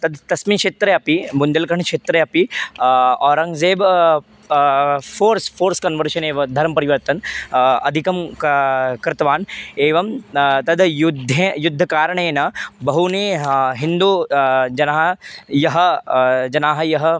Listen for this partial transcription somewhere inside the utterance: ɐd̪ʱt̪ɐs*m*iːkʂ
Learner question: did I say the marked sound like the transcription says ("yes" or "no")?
yes